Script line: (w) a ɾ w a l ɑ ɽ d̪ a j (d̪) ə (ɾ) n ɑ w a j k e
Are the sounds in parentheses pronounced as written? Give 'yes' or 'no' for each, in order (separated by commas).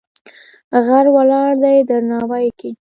no, yes, yes